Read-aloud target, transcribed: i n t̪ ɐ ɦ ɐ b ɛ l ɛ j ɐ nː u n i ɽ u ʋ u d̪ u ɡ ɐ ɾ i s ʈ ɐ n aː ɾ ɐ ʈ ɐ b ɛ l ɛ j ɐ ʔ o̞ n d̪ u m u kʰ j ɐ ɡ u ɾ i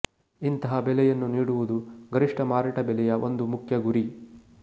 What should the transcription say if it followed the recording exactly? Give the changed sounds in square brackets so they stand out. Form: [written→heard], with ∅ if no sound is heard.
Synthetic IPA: i n t̪ ɐ ɦ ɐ b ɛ l ɛ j ɐ nː u n [i→iː] ɽ u ʋ u d̪ u ɡ ɐ ɾ i [s→ʂ] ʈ ɐ [n→m] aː ɾ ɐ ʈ ɐ b ɛ l ɛ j ɐ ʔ o̞ n d̪ u m u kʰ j ɐ ɡ u ɾ i